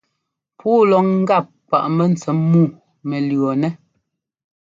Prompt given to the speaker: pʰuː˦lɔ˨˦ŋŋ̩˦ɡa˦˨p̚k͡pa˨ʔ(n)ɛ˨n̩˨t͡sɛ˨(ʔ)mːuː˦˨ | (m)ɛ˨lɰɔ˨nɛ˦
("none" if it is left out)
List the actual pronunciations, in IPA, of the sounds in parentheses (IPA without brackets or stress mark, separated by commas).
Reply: m, none, m